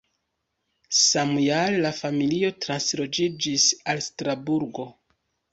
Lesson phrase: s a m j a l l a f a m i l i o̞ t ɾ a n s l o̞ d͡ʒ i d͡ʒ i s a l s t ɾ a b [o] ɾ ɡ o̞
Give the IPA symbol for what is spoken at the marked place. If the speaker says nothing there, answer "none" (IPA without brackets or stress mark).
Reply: u